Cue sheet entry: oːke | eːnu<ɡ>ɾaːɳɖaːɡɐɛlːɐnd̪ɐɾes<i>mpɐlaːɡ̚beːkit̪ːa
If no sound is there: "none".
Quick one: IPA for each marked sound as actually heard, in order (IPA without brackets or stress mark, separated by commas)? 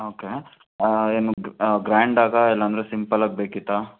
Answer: ɡ, i